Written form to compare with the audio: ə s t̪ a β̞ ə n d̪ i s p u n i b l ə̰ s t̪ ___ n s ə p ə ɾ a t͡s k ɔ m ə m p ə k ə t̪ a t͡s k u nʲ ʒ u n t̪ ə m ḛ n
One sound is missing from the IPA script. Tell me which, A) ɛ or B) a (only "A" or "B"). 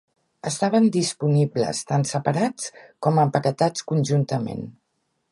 B